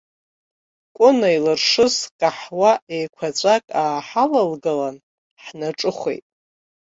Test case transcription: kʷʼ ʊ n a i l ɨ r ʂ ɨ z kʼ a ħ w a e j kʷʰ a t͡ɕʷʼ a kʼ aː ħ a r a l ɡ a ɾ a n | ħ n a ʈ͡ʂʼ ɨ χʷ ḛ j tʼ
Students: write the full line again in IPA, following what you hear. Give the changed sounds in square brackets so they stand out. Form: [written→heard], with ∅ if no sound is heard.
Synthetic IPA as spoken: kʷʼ ʊ n a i l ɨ r ʂ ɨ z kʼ a ħ w a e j kʷʰ a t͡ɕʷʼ a kʼ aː ħ a [r→l] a l ɡ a [ɾ→l] a n | ħ n a ʈ͡ʂʼ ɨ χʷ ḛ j tʼ